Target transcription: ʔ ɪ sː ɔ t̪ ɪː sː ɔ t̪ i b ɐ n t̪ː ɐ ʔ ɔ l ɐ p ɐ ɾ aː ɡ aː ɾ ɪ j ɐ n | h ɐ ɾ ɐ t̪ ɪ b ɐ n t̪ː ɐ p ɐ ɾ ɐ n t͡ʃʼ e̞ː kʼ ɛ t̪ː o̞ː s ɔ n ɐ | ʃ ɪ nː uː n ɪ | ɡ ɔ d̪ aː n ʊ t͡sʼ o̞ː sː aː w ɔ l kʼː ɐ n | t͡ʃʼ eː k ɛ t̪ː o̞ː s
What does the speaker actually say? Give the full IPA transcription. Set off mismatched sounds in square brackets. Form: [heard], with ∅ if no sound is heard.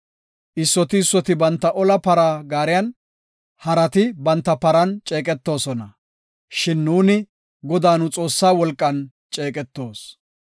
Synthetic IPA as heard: ʔ ɪ sː ɔ t̪ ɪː sː ɔ t̪ [ɪ] b ɐ n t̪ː ɐ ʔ ɔ l ɐ p ɐ ɾ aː ɡ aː ɾ ɪ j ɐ n | h ɐ ɾ ɐ t̪ ɪ b ɐ n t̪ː ɐ p ɐ ɾ ɐ n t͡ʃʼ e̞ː kʼ ɛ t̪ː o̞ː s ɔ n ɐ | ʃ ɪ nː uː n ɪ | ɡ ɔ d̪ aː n ʊ t͡sʼ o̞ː sː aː w ɔ l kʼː ɐ n | t͡ʃʼ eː [kʼ] ɛ t̪ː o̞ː s